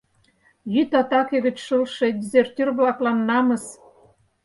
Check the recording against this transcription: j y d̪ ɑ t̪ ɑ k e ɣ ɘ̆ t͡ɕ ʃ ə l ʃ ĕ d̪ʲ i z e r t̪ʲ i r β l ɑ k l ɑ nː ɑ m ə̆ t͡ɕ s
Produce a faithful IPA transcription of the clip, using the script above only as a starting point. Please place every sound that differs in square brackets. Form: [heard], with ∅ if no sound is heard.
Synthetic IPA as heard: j y [t̪] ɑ t̪ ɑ k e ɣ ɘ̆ t͡ɕ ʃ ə l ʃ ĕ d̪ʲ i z e r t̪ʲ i r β l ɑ k l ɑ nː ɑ m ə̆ [∅] s